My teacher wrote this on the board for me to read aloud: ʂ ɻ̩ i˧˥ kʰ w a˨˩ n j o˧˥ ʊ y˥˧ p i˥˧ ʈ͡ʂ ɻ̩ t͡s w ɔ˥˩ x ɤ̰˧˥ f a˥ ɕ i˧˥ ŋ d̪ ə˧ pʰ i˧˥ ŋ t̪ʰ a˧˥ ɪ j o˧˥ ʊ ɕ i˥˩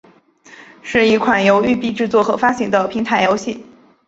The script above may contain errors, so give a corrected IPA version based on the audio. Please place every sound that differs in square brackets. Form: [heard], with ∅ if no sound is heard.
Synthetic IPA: ʂ ɻ̩ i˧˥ kʰ w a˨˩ n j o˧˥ ʊ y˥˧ p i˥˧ ʈ͡ʂ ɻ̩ t͡s w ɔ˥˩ x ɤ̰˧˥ f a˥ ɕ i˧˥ ŋ d̪ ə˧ pʰ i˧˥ ŋ t̪ʰ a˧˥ ɪ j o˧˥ ʊ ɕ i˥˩